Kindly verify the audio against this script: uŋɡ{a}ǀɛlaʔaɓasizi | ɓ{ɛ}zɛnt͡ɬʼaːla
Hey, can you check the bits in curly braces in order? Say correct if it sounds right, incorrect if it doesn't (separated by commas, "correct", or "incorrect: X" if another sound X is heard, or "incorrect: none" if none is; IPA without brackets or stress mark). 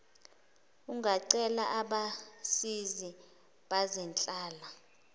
correct, incorrect: a